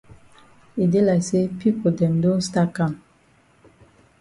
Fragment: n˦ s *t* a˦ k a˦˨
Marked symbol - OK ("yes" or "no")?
yes